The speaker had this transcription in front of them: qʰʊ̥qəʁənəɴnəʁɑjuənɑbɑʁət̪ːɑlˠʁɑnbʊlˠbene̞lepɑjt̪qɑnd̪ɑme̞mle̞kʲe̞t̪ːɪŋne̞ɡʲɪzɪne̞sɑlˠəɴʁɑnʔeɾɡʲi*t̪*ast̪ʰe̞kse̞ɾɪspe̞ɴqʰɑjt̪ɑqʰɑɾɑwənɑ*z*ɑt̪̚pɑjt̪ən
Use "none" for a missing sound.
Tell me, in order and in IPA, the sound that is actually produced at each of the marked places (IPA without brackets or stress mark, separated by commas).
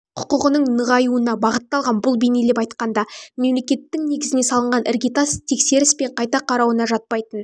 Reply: t̪, ʒ